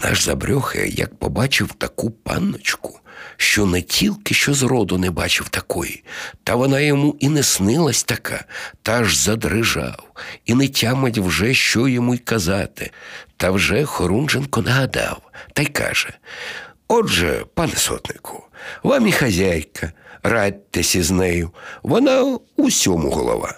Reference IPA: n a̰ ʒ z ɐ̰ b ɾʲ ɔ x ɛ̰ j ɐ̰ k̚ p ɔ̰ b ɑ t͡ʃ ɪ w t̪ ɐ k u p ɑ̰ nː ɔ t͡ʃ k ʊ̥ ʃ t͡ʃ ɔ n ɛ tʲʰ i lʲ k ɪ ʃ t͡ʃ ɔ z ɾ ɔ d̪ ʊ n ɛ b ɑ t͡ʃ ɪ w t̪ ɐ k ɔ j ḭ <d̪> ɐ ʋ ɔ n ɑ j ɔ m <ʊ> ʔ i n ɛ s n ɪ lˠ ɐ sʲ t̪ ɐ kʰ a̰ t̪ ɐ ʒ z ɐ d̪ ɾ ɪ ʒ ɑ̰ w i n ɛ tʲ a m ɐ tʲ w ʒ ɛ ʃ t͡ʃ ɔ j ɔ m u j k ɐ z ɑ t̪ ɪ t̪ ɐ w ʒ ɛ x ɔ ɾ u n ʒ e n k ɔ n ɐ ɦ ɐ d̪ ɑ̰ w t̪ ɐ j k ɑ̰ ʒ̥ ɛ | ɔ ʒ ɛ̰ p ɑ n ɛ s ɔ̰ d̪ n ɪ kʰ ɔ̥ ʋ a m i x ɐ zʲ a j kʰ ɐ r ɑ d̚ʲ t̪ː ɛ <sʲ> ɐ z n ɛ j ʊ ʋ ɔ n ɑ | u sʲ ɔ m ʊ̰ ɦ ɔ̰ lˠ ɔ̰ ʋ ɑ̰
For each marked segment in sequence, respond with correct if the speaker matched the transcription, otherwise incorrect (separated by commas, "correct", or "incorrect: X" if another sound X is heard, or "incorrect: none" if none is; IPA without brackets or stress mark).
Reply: incorrect: t̪, incorrect: u, correct